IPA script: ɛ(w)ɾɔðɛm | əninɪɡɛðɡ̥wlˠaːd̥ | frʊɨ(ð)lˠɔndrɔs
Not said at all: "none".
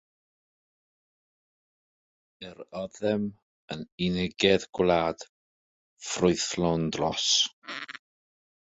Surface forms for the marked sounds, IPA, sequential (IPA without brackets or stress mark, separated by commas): none, θ